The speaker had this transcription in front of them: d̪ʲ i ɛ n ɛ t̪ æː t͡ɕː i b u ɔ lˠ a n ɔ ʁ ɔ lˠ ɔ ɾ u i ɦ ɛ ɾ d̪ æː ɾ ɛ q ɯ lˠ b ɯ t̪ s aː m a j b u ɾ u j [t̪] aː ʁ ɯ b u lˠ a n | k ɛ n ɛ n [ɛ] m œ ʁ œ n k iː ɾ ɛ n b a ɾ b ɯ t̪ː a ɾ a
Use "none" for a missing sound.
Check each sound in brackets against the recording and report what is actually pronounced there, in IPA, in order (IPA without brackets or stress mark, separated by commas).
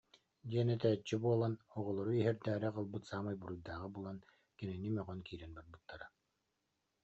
d̪, i